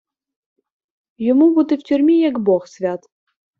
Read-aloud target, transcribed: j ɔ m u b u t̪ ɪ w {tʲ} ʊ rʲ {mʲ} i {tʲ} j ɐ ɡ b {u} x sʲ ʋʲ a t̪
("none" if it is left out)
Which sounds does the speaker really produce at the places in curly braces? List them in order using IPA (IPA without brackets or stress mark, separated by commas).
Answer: tʲ, mʲ, none, ɔ